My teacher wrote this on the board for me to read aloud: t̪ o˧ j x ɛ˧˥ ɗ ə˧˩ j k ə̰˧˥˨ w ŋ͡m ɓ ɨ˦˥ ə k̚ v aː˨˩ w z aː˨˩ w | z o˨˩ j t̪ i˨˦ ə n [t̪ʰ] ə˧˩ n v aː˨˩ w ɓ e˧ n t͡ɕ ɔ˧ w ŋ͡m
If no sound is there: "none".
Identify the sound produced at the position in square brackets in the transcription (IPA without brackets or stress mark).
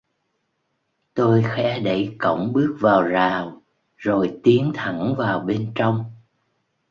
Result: t̪ʰ